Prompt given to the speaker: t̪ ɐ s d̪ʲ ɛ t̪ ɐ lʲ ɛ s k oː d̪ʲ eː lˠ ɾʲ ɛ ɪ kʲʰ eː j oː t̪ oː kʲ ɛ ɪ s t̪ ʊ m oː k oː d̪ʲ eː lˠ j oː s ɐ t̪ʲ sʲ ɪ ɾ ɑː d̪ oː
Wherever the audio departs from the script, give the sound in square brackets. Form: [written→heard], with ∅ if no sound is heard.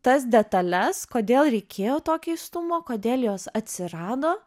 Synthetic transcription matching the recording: t̪ ɐ s d̪ʲ ɛ t̪ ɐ lʲ ɛ s k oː d̪ʲ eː lˠ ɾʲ ɛ ɪ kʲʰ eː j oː t̪ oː kʲ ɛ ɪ s t̪ ʊ m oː k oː d̪ʲ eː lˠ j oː s ɐ t̪ʲ sʲ ɪ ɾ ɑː d̪ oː